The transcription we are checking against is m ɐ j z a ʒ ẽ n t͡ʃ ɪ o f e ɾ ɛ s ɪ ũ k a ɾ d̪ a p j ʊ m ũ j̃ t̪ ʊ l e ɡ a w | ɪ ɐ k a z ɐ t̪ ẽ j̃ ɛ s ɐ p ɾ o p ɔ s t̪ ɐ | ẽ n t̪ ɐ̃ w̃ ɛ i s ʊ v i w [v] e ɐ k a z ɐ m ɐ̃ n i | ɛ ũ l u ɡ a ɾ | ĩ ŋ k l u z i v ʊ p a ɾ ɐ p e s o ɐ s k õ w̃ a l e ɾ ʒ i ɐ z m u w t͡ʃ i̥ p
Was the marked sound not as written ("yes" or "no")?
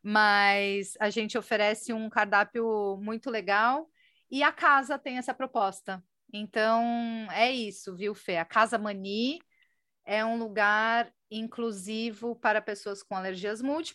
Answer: yes